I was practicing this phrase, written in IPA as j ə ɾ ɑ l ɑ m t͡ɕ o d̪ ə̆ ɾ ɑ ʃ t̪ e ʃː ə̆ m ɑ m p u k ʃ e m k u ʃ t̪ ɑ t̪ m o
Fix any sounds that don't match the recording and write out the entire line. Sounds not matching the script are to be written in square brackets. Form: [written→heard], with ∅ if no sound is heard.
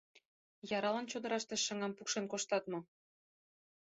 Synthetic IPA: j [ə→ɑ] ɾ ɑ l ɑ [m→n] t͡ɕ o d̪ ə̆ ɾ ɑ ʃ t̪ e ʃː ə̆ [m→ŋ] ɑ m p u k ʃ e [m→n] k [u→o] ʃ t̪ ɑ t̪ m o

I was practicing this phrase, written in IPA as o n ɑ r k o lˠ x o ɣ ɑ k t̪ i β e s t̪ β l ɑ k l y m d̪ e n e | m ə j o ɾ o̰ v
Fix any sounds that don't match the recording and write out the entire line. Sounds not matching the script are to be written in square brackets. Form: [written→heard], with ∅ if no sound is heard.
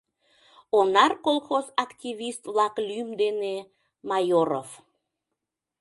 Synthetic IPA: o n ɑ r k o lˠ x o [ɣ→z] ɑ k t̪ i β [e→i] s t̪ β l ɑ k l y m d̪ e n e | m [ə→ɑ] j o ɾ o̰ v

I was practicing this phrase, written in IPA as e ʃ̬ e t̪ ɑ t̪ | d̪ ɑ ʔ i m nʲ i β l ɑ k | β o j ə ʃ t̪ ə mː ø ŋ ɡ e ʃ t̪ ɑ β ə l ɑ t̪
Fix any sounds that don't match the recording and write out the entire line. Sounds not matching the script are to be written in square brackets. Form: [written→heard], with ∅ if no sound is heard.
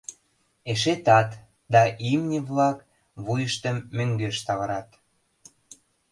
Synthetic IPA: e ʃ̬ e t̪ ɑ t̪ | d̪ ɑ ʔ i m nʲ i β l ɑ k | β [o→u] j ə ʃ t̪ ə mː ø ŋ ɡ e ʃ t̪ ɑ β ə [l→ɾ] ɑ t̪

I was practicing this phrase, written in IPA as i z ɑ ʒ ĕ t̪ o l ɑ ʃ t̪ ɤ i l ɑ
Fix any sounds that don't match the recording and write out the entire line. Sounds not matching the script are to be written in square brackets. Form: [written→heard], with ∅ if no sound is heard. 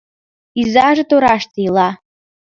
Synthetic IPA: i z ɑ ʒ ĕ t̪ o [l→ɾ] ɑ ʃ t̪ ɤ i l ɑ

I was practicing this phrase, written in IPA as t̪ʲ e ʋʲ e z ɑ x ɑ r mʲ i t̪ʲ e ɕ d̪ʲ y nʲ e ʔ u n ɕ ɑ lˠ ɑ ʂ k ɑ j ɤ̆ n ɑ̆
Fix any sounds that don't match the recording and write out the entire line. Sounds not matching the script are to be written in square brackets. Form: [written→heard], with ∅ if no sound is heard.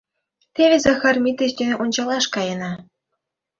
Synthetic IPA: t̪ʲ e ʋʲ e z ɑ x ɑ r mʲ i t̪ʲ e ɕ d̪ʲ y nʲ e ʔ u n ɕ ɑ lˠ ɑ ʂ k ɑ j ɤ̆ n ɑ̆

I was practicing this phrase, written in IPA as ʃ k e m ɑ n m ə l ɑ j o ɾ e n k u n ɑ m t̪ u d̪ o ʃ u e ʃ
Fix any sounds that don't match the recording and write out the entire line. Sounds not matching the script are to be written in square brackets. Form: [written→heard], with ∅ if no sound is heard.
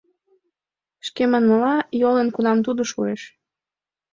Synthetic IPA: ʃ k e m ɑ n m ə l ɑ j o [ɾ→l] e n k u n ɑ m t̪ u d̪ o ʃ u e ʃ

